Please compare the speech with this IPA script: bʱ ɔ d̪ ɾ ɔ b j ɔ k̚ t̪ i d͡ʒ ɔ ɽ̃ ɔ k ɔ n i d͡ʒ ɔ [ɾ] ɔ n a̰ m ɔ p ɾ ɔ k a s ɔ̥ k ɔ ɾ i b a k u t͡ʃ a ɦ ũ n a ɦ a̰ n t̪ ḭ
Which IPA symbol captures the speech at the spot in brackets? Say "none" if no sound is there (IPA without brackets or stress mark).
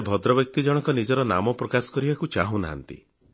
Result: ɾ